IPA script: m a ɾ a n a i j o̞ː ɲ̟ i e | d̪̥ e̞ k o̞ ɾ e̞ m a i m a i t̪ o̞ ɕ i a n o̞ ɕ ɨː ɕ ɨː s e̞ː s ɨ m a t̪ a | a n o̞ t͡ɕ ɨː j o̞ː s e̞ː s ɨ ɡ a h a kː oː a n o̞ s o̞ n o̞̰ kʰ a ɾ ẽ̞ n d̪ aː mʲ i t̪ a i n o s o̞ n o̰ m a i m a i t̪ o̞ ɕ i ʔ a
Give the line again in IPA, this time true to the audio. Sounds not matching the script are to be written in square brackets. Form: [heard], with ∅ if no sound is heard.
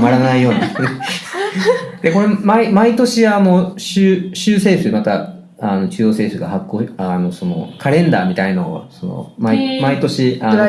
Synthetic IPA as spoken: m a ɾ a n a i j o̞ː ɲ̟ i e | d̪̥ e̞ k o̞ ɾ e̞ m a i m a i t̪ o̞ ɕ i a n o̞ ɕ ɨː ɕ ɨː s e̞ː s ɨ m a t̪ a | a n o̞ t͡ɕ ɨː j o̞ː s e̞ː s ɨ ɡ a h a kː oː a n o̞ s o̞ n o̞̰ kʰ a ɾ ẽ̞ n d̪ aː mʲ i t̪ a i n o s o̞ n o̰ m a i m a i t̪ o̞ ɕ i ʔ a